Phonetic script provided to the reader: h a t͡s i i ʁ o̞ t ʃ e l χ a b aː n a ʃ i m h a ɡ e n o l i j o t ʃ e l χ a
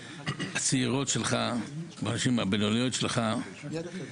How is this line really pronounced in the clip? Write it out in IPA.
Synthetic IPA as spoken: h a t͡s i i ʁ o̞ t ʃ e l χ a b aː n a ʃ i m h a b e n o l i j o t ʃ e l χ a